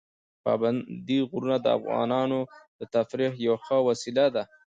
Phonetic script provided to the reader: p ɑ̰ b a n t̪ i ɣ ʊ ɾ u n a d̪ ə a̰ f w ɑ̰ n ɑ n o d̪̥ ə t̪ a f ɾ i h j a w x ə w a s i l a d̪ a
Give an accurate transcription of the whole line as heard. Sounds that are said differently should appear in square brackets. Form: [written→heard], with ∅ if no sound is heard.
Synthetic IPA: p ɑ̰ b a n [t̪→d̪] i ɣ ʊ ɾ u n a d̪ ə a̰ f [w→ɣ] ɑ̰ n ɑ n o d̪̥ ə t̪ a f ɾ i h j a w x ə w a s i l a d̪ a